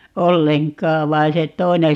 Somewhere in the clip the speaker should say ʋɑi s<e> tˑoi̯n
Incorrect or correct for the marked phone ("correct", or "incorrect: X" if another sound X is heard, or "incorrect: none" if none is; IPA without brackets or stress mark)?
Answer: correct